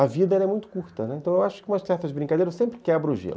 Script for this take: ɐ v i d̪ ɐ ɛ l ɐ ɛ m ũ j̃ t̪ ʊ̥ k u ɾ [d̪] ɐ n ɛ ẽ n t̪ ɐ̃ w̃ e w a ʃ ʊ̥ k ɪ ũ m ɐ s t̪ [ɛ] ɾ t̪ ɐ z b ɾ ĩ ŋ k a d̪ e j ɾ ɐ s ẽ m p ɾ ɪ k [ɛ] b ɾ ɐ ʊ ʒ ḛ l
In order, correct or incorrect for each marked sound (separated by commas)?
incorrect, correct, correct